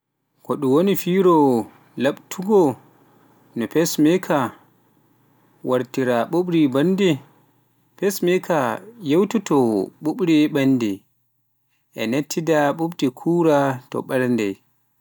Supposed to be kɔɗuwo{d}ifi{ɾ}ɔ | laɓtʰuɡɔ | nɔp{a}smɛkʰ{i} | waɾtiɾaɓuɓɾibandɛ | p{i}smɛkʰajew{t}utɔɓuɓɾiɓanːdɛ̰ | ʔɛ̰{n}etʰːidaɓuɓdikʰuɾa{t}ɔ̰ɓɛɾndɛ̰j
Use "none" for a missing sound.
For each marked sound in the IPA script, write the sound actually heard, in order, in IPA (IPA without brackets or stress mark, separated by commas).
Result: n, ɾ, ɛ, a, ɛ, t, n, t